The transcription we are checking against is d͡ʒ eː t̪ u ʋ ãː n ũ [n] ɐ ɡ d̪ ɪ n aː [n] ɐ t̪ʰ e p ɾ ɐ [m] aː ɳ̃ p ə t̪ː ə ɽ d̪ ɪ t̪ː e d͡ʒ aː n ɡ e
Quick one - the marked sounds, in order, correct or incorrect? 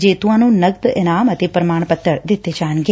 correct, incorrect: m, correct

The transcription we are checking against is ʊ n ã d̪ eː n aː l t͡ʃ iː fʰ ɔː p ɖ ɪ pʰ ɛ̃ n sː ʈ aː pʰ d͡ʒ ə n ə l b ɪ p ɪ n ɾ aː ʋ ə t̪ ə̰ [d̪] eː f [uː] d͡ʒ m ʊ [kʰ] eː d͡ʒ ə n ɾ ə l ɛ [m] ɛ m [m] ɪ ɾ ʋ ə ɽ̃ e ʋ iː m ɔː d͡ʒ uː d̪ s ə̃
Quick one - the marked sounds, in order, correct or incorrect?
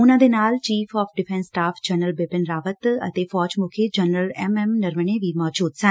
incorrect: t̪, incorrect: ɔː, correct, correct, incorrect: n

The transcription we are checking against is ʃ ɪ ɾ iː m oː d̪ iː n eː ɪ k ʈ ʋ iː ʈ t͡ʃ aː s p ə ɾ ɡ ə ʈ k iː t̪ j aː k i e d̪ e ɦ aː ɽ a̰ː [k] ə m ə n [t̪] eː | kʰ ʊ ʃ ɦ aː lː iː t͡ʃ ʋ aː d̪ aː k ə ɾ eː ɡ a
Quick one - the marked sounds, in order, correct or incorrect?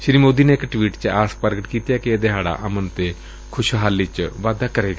incorrect: ʔ, correct

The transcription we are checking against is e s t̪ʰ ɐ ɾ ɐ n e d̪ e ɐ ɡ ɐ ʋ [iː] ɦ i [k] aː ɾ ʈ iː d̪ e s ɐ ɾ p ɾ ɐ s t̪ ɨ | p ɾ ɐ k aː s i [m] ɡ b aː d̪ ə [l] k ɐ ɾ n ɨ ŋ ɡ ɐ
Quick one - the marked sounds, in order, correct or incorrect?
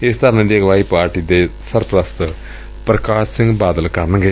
incorrect: aː, incorrect: p, incorrect: ŋ, correct

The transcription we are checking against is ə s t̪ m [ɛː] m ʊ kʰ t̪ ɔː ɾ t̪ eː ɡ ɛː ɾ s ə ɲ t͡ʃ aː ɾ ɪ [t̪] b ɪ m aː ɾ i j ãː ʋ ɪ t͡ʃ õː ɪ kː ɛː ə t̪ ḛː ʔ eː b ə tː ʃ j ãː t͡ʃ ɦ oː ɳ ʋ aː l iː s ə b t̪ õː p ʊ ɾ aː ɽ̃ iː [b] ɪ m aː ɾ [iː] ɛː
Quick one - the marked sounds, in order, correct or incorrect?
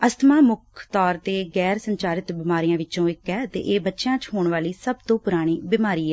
incorrect: aː, correct, correct, correct

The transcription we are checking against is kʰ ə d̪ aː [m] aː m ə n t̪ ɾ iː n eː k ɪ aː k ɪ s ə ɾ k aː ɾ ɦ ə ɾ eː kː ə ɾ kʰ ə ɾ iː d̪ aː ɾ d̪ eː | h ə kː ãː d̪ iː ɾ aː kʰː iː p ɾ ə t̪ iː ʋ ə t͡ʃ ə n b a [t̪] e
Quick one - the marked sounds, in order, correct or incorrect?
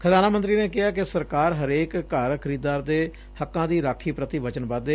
incorrect: n, incorrect: d̪

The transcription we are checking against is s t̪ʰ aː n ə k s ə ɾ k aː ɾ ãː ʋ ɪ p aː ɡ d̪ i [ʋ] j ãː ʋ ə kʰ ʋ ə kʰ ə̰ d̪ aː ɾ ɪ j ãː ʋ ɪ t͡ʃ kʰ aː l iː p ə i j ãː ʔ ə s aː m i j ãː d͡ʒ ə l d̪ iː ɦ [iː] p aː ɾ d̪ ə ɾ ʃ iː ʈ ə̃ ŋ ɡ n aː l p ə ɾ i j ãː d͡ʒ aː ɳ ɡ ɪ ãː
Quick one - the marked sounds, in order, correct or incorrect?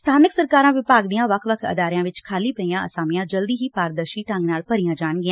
incorrect: none, correct

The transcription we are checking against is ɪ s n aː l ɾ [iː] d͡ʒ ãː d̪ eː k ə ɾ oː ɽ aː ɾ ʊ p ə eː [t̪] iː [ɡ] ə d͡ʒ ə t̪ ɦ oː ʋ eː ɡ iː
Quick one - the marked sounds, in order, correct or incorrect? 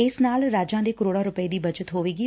incorrect: aː, incorrect: d̪, incorrect: b

